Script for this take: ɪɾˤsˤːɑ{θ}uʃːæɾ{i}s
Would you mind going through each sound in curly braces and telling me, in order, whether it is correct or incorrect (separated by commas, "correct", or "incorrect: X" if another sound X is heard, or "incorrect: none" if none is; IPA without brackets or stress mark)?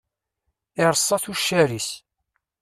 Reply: correct, correct